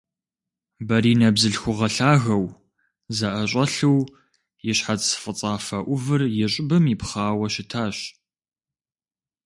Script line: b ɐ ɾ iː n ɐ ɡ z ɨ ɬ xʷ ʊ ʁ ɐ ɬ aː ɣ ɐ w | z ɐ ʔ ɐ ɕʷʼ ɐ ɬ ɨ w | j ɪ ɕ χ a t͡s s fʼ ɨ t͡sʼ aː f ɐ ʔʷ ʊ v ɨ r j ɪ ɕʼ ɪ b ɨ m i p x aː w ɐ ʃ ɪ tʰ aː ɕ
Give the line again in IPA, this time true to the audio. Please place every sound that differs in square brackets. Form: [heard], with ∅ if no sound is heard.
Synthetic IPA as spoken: b ɐ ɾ iː n ɐ [b] z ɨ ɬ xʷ ʊ ʁ ɐ ɬ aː ɣ ɐ w | z ɐ ʔ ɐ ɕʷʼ ɐ ɬ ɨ w | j ɪ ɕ [ħ] a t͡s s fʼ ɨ t͡sʼ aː f ɐ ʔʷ ʊ v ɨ r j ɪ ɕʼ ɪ b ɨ m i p [χ] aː w ɐ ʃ ɪ tʰ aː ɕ

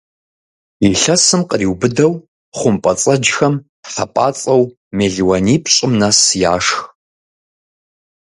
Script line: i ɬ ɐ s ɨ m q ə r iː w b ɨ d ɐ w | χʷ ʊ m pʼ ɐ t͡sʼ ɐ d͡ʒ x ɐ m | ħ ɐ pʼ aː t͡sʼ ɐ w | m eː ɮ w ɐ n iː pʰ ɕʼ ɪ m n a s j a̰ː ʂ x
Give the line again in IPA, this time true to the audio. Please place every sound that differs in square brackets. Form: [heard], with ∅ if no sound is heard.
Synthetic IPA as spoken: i ɬ ɐ s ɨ m q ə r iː w b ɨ d ɐ w | χʷ ʊ m pʼ ɐ t͡sʼ ɐ d͡ʒ x ɐ m | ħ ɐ pʼ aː t͡sʼ ɐ w | m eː ɮ w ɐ n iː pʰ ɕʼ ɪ m n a s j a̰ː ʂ x

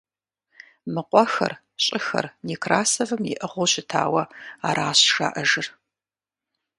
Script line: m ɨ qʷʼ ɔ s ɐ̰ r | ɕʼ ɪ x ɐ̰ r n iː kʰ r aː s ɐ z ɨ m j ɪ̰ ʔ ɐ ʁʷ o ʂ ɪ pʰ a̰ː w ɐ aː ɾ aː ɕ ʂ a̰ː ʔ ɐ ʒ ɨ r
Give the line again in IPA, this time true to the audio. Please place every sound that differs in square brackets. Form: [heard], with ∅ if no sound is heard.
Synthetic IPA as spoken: m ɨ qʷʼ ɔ [x] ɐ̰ r | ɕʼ ɪ x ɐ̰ r n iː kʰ r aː s ɐ [v] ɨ m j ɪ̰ ʔ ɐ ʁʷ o [ɕ] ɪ [tʰ] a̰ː w ɐ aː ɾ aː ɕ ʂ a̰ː ʔ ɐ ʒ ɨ r

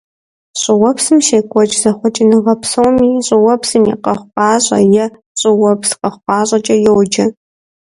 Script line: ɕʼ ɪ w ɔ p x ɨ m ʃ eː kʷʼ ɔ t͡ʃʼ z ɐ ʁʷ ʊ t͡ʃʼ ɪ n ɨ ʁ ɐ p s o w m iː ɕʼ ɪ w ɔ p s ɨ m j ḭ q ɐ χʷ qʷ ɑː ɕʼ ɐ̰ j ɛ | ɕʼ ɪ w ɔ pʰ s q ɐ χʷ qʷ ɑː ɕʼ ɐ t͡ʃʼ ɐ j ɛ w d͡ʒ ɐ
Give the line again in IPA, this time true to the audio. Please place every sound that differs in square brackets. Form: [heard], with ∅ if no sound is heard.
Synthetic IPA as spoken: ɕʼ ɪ w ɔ p [s] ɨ m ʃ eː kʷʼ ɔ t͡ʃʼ z ɐ [χʷ] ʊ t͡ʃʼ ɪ n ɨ ʁ ɐ p s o w m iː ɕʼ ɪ w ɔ p s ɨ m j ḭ q ɐ χʷ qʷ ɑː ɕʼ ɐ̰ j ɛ | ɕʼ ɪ w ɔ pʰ s q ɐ χʷ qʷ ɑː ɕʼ ɐ t͡ʃʼ ɐ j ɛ w d͡ʒ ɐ

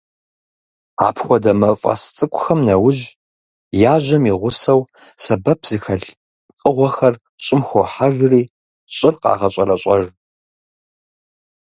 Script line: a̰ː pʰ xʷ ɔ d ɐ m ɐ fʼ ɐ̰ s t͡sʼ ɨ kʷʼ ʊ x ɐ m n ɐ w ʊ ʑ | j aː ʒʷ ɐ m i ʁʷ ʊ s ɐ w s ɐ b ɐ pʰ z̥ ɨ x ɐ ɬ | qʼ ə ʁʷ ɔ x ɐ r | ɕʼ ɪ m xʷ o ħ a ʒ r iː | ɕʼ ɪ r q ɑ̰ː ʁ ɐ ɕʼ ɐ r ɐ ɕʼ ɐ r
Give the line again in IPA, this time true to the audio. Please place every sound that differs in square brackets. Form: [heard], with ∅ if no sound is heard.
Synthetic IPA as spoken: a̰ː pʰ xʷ ɔ d ɐ m ɐ fʼ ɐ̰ s t͡sʼ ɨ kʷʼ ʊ x ɐ m n ɐ w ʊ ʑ | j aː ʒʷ ɐ m i ʁʷ ʊ s ɐ w s ɐ b ɐ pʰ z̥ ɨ x ɐ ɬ | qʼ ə ʁʷ ɔ x ɐ r | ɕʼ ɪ m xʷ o ħ a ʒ r iː | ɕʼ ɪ r q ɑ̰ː ʁ ɐ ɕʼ ɐ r ɐ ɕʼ ɐ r

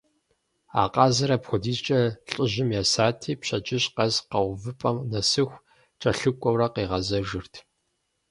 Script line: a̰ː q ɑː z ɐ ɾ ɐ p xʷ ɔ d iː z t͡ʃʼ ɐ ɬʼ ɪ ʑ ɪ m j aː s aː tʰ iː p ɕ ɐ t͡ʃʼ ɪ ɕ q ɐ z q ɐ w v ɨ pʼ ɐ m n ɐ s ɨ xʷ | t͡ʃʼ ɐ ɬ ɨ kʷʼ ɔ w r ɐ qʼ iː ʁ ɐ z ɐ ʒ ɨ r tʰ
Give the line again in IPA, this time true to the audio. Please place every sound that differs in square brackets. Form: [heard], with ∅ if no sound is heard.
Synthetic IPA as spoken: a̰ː q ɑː z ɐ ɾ ɐ p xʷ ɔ d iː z t͡ʃʼ ɐ ɬʼ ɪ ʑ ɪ m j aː s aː tʰ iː p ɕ ɐ t͡ʃʼ ɪ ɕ q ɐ z q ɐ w v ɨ pʼ ɐ m n ɐ s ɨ xʷ | t͡ʃʼ ɐ ɬ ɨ kʷʼ ɔ w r ɐ [q] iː ʁ ɐ z ɐ ʒ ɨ r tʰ

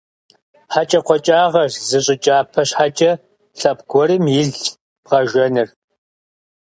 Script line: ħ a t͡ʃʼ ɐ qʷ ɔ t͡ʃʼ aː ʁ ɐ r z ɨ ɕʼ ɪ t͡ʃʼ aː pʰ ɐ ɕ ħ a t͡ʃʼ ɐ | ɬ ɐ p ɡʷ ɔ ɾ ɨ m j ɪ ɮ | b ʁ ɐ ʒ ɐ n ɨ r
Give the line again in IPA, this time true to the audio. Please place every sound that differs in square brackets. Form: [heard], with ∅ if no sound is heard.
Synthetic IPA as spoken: ħ a t͡ʃʼ ɐ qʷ ɔ t͡ʃʼ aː ʁ ɐ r z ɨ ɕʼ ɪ t͡ʃʼ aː pʰ ɐ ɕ ħ a t͡ʃʼ ɐ | ɬ ɐ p ɡʷ ɔ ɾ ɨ m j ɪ ɮ | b ʁ ɐ ʒ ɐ n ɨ r

